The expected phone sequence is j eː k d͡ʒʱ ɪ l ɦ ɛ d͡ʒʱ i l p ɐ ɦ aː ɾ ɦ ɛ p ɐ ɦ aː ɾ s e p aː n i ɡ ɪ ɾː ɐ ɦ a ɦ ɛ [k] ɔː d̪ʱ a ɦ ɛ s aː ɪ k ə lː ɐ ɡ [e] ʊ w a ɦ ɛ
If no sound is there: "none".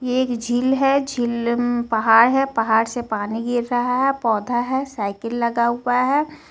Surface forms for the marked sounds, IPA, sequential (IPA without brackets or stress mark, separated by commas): p, a